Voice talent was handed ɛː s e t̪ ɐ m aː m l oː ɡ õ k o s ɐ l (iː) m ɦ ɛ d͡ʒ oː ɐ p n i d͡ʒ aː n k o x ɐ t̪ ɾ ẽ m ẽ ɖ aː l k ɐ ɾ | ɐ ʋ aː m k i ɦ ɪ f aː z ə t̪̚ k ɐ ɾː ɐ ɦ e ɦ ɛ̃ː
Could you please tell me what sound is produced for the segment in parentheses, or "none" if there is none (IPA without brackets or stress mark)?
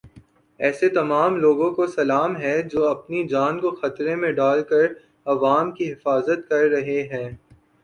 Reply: aː